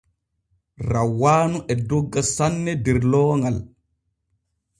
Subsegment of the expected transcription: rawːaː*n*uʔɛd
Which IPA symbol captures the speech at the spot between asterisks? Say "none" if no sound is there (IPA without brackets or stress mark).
n